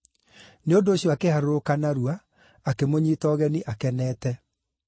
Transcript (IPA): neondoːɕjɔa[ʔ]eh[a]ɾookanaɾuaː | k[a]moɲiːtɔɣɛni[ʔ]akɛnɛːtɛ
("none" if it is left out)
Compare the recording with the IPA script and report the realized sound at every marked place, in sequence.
k, a, e, ʔ

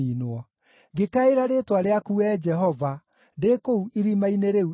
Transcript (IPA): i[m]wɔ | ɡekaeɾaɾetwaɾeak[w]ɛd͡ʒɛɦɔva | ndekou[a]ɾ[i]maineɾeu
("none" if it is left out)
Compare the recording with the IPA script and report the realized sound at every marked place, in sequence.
n, u, i, i

